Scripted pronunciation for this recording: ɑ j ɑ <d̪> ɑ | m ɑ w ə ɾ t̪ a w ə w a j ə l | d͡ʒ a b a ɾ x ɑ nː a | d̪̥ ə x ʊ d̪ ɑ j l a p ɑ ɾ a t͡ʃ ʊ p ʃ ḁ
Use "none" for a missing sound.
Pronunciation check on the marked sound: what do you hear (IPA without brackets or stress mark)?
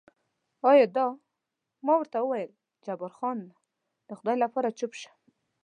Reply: d̪